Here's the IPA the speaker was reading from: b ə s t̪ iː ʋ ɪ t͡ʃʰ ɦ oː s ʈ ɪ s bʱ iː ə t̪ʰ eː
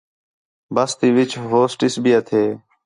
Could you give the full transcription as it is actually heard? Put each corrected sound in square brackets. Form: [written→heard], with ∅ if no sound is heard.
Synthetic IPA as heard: b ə s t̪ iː ʋ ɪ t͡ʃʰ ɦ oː s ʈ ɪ s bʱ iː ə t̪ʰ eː

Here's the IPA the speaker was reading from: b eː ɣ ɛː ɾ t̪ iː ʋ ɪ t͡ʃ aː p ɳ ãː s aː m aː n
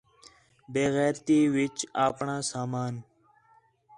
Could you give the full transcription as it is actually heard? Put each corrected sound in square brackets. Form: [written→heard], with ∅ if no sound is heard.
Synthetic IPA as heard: b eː ɣ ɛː ɾ t̪ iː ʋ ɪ t͡ʃ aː p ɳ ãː s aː m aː n

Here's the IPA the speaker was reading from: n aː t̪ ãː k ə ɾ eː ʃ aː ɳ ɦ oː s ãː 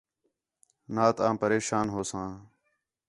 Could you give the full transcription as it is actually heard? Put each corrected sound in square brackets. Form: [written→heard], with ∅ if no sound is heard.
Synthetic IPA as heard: n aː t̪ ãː [k→p] ə ɾ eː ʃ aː [ɳ→n] ɦ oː s ãː

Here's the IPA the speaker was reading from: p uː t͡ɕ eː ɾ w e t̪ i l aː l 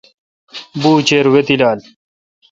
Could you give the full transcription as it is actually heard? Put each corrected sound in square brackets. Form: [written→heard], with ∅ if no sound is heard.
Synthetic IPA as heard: [p→b] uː t͡ɕ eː ɾ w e t̪ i l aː l

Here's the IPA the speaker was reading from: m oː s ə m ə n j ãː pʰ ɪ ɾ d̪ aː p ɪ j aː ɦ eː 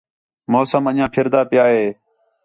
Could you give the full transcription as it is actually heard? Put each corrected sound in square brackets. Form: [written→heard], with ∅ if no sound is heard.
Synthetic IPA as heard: m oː s ə m ə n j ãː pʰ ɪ ɾ d̪ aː p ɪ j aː ɦ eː

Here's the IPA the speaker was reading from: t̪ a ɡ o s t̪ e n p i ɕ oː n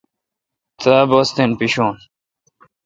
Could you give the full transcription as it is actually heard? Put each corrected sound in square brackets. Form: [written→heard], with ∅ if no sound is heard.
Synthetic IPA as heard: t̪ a [ɡ→b] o s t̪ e n p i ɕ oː n

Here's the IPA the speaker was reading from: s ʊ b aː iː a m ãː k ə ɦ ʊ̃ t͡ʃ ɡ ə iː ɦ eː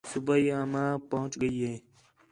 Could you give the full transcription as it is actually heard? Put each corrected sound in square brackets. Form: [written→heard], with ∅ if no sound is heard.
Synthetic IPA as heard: s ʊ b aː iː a m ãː [k→p] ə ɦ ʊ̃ t͡ʃ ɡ ə iː ɦ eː

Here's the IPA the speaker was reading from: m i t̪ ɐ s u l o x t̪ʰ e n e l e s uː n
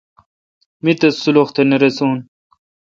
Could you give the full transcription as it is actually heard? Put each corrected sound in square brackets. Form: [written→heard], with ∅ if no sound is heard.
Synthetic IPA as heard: m i t̪ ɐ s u l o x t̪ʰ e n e [l→ɾ] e s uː n

